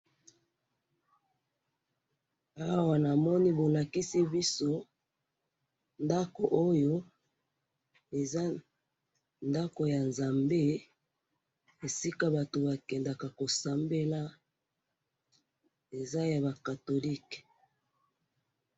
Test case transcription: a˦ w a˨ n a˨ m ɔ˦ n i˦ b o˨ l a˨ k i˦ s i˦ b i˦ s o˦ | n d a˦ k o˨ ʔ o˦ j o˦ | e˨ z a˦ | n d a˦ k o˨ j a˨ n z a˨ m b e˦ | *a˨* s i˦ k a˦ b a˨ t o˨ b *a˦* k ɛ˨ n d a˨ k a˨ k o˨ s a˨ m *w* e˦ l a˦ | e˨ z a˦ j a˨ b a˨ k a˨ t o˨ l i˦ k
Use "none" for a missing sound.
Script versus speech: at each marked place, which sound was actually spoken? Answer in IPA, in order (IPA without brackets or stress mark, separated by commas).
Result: e˨, a˨, b